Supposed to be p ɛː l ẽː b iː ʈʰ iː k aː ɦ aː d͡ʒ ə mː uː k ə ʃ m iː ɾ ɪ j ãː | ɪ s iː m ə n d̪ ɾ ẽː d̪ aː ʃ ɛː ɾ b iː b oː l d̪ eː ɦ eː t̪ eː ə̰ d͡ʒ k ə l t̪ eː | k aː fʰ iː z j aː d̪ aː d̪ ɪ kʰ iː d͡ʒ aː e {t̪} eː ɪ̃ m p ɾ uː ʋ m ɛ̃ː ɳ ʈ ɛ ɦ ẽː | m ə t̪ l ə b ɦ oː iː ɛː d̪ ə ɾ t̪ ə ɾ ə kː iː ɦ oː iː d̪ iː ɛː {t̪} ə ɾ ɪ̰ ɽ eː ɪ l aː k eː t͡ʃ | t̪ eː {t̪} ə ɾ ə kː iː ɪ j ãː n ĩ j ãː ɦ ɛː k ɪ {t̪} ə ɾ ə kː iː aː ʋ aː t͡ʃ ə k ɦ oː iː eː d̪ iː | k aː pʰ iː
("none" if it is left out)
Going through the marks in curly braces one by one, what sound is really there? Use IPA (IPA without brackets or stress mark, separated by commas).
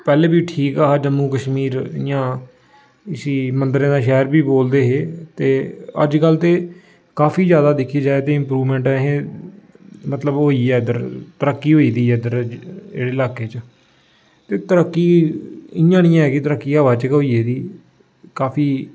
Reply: t̪, d̪, t̪, t̪